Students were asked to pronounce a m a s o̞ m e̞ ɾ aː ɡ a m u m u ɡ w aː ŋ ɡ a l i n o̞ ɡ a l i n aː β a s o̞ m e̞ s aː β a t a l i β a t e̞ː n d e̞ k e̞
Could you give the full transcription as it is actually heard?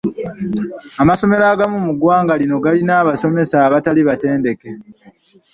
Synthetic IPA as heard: a m a s o̞ m e̞ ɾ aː ɡ a m u m u ɡ w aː ŋ ɡ a l i n o̞ ɡ a l i n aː β a s o̞ m e̞ s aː β a t a l i β a t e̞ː n d e̞ k e̞